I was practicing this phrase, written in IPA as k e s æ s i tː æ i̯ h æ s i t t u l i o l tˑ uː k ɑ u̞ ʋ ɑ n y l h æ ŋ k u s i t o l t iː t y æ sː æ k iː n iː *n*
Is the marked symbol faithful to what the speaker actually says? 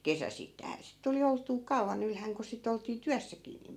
no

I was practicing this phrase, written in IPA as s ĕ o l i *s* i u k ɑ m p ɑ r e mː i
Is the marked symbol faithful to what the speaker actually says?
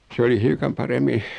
no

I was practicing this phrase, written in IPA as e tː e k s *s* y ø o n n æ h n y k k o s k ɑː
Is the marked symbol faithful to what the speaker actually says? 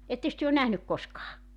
no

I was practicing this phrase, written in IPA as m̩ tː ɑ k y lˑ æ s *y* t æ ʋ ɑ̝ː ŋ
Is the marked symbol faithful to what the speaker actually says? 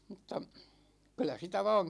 no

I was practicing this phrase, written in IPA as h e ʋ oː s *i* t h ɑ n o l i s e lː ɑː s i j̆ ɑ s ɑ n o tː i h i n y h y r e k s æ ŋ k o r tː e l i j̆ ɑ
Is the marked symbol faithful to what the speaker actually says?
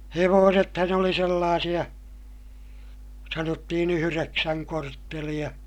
no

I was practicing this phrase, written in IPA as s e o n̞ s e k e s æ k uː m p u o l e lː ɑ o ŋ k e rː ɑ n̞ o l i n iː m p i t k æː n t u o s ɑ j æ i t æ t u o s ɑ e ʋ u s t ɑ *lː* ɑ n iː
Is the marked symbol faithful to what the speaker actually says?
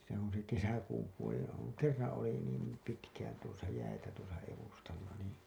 yes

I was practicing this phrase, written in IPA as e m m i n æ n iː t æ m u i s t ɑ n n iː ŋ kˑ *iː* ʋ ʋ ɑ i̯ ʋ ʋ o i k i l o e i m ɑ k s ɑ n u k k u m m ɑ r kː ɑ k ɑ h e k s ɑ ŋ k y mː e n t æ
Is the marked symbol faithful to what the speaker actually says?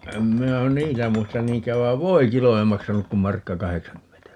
no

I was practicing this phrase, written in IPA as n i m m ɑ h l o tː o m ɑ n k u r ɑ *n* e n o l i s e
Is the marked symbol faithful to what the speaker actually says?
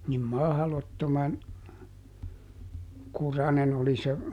yes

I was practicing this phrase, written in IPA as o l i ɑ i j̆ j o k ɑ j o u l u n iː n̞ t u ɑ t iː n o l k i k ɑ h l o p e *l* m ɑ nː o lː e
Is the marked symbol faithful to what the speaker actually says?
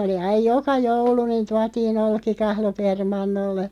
no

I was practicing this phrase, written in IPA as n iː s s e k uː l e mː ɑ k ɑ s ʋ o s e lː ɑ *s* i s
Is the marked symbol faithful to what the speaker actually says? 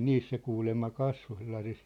yes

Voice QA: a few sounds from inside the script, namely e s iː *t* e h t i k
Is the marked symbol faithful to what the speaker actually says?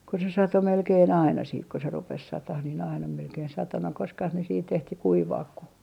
yes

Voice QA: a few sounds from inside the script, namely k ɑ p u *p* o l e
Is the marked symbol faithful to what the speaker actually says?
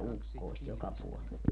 no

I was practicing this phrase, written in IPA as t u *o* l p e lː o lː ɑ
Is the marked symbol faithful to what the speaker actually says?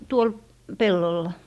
yes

